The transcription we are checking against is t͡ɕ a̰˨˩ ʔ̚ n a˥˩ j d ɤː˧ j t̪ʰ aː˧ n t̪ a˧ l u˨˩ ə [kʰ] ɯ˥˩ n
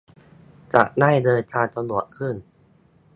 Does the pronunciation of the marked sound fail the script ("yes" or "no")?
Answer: no